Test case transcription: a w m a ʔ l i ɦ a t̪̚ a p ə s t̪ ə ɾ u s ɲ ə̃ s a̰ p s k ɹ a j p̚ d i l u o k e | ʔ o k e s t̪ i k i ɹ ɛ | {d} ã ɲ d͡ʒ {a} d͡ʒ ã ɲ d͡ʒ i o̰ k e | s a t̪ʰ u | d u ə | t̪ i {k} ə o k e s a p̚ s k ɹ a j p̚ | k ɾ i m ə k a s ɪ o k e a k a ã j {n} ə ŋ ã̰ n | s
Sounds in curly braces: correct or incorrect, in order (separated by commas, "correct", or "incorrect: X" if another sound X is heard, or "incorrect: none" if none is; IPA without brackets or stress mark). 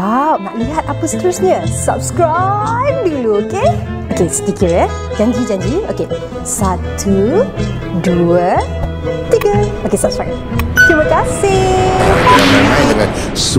incorrect: d͡ʒ, incorrect: i, incorrect: ɡ, incorrect: d